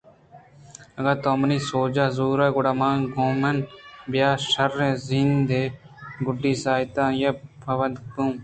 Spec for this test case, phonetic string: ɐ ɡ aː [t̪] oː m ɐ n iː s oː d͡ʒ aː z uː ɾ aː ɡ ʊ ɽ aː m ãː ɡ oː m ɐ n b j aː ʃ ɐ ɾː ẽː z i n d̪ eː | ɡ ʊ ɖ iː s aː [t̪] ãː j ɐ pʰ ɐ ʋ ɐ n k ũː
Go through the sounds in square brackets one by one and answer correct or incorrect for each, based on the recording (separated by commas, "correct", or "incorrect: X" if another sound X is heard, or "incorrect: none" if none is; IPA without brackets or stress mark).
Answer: correct, correct